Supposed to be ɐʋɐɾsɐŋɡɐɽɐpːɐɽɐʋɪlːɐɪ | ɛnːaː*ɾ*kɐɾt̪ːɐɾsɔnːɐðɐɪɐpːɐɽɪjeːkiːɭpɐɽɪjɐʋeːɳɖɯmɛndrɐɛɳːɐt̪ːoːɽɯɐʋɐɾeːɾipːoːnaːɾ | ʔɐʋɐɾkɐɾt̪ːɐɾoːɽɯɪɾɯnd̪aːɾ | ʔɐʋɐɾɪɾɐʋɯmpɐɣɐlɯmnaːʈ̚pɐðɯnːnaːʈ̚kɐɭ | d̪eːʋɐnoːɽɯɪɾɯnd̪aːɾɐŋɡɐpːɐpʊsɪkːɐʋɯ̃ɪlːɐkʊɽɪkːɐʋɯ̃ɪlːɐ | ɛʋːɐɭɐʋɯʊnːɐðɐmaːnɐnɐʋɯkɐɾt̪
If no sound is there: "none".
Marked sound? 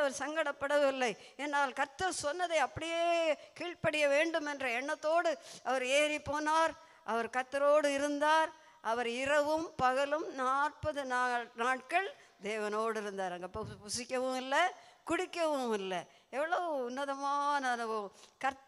l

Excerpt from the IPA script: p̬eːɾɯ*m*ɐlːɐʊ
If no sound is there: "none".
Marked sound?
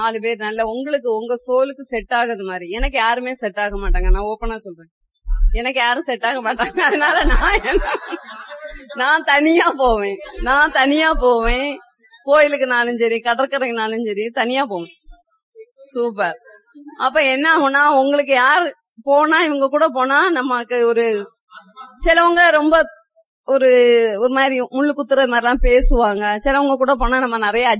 n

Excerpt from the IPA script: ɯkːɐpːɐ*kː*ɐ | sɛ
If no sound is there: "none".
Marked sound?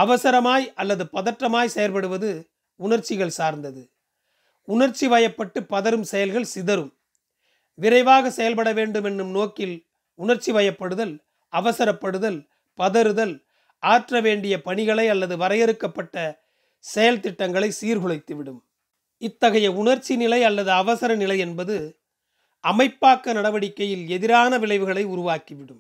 ʈː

